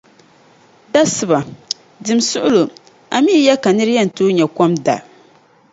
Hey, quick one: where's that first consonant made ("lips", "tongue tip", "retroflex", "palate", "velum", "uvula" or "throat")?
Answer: tongue tip